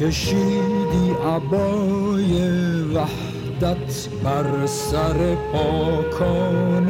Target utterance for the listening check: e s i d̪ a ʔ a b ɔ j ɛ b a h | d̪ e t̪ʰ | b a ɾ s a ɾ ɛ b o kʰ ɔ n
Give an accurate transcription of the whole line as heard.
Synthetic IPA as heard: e ʃ i d̪ i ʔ a b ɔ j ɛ v a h | d̪ a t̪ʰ | b a ɾ s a ɾ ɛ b ɔ kʰ ɔ n